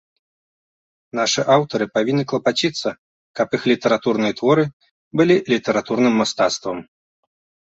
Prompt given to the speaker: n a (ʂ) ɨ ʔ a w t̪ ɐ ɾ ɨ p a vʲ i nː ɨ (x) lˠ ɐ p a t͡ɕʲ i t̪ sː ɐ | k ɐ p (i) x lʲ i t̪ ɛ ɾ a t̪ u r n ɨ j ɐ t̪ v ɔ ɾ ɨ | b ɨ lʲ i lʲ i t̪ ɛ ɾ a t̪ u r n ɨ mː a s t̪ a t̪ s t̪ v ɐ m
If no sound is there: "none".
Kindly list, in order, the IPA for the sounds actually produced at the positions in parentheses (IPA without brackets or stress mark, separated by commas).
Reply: ʂ, k, i